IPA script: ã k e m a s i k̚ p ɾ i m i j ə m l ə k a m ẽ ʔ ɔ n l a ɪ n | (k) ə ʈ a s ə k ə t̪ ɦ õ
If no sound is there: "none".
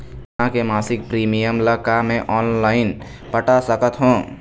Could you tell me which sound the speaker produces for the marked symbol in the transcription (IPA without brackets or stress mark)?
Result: p